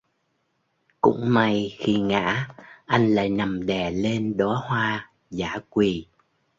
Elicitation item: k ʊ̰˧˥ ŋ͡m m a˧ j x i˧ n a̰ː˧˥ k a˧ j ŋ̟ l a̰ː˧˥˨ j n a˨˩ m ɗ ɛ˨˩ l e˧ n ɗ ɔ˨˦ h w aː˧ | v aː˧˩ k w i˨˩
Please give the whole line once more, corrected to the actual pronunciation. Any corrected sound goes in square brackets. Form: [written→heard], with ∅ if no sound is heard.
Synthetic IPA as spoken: k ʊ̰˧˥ ŋ͡m m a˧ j x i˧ [n→ŋ] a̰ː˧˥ [k→ʔ] a˧ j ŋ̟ l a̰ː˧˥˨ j n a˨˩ m ɗ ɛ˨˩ l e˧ n ɗ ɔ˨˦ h w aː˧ | [v→z] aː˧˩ k w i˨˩